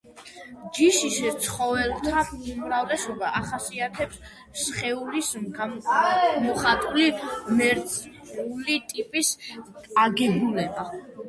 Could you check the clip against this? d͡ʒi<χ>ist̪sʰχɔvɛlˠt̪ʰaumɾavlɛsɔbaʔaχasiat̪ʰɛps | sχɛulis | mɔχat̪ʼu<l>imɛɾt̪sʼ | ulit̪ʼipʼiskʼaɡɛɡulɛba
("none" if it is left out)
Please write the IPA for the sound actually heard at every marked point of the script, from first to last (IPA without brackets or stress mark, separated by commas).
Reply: ʃ, l